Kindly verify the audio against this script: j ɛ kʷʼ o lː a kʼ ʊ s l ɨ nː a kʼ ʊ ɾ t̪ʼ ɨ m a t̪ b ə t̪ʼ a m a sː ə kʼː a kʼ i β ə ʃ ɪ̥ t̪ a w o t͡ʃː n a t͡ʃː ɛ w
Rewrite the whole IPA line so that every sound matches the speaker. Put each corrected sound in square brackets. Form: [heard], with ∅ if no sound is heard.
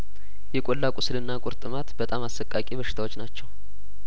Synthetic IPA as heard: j ɛ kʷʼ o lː a kʼ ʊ s l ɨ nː a kʼ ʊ ɾ t̪ʼ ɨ m a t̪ b ə t̪ʼ a m a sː ə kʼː a kʼ i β ə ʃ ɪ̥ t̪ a w o t͡ʃː n a t͡ʃː ɛ w